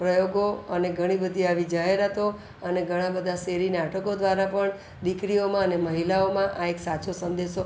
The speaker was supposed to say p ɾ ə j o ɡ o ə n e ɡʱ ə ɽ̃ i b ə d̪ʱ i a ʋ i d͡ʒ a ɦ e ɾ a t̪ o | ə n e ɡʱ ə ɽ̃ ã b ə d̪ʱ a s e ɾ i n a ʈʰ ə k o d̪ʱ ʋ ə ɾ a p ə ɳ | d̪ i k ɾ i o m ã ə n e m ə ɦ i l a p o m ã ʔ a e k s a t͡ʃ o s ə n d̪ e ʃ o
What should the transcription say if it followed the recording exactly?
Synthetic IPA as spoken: p ɾ ə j o ɡ o ə n e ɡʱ ə ɽ̃ i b ə d̪ʱ i a ʋ i d͡ʒ a ɦ e ɾ a t̪ o | ə n e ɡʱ ə ɽ̃ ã b ə d̪ʱ a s e ɾ i n a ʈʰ ə k o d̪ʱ ʋ a ɾ a p ə ɳ | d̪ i k ɾ i o m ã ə n e m ə ɦ i l a o m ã ʔ a e k s a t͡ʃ o s ə n d̪ e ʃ o